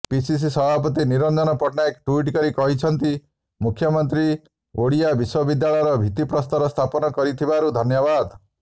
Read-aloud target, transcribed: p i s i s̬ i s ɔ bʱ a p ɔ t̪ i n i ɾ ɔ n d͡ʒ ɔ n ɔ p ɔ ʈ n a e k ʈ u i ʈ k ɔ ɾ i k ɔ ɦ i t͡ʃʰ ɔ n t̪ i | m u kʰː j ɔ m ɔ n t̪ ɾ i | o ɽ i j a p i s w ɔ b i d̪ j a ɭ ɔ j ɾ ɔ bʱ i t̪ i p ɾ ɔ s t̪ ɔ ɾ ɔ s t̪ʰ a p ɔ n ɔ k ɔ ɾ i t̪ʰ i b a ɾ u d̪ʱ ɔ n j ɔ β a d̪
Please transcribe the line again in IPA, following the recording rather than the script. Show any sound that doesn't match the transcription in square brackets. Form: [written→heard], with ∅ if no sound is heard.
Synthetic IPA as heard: p i s i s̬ i s ɔ bʱ a p ɔ t̪ i n i ɾ ɔ n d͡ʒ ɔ n ɔ p ɔ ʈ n a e k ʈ u i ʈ k ɔ ɾ i k ɔ ɦ i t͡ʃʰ ɔ n t̪ i | m u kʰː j ɔ m ɔ n t̪ ɾ i | o ɽ i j a [p→b] i s w ɔ b i d̪ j a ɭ ɔ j ɾ ɔ bʱ i t̪ i p ɾ ɔ s t̪ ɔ ɾ ɔ s t̪ʰ a p ɔ n ɔ k ɔ ɾ i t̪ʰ i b a ɾ u d̪ʱ ɔ n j ɔ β a d̪